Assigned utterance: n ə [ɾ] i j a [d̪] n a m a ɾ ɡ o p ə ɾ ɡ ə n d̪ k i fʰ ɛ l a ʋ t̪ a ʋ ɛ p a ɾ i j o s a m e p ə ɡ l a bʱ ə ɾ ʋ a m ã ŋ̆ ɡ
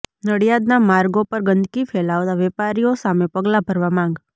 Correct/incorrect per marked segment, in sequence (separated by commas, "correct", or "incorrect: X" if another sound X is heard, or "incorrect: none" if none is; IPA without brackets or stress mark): incorrect: ɽ, correct